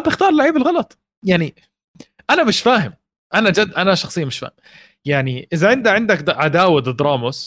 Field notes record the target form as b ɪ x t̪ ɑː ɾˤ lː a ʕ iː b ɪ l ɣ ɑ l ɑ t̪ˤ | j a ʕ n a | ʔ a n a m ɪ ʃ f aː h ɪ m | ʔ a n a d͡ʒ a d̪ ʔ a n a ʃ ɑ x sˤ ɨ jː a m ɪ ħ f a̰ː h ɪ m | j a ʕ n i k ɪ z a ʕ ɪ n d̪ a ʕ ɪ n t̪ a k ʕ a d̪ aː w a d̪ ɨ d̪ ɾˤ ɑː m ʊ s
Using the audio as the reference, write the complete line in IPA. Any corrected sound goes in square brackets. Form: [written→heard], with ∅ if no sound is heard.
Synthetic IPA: b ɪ x t̪ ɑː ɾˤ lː a ʕ iː b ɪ l ɣ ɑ l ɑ t̪ˤ | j a ʕ n [a→i] | ʔ a n a m ɪ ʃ f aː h ɪ m | ʔ a n a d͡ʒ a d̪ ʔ a n a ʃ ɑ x sˤ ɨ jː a m ɪ [ħ→ʃ] f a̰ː h ɪ m | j a ʕ n i [k→ʔ] ɪ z a ʕ ɪ n d̪ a ʕ ɪ n [t̪→d̪] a k ʕ a d̪ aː w a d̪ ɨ d̪ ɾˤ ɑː m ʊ s